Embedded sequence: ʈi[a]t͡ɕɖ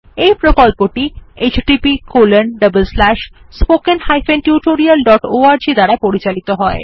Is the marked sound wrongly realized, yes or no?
yes